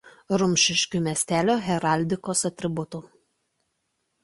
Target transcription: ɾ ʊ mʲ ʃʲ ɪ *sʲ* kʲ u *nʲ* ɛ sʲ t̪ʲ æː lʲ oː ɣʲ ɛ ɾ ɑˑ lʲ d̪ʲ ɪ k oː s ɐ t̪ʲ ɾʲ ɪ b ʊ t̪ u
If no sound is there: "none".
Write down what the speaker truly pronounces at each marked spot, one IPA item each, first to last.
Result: ʃʲ, mʲ

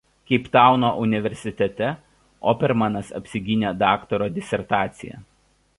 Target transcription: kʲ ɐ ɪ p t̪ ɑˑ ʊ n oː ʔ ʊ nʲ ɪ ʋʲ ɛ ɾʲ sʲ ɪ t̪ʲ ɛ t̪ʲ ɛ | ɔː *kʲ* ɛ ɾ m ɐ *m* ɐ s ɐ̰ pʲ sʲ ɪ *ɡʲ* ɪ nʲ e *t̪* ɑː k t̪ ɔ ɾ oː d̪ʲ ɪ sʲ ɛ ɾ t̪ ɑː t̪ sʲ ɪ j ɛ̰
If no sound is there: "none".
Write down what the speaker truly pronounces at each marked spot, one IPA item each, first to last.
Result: pʲ, n, ɡʲ, d̪

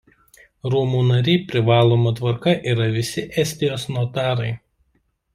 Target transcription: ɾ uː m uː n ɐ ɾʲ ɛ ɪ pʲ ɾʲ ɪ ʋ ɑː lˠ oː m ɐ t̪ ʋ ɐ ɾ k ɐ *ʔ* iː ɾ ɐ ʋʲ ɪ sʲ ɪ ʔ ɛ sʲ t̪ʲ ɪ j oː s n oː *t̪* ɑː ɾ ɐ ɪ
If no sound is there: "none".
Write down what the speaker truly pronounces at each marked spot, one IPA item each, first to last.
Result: ʔ, t̪

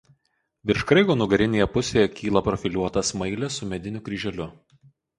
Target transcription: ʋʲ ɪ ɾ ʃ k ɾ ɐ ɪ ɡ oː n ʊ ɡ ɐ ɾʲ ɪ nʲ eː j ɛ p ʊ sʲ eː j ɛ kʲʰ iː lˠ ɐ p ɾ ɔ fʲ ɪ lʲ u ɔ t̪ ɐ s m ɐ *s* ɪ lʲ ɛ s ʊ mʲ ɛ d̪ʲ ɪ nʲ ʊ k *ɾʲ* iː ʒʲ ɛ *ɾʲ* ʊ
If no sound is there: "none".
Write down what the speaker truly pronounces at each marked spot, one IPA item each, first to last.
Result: none, ɾʲ, lʲ

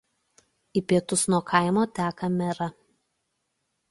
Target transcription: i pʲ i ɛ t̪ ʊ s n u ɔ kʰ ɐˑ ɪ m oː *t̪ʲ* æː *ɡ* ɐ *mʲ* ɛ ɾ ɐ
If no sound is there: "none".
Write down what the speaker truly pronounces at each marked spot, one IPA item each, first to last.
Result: t̪ʲ, k, mʲ

